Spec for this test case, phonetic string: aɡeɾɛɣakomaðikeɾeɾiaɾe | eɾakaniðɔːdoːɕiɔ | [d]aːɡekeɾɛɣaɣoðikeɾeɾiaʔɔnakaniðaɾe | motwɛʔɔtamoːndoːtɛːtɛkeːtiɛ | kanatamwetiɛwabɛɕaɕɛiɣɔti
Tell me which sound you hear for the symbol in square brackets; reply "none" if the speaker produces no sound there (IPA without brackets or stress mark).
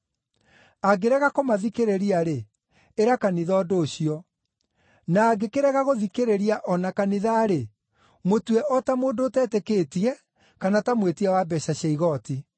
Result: n